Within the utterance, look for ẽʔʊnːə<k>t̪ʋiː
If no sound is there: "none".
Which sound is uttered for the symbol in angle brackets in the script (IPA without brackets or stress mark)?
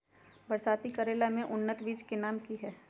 none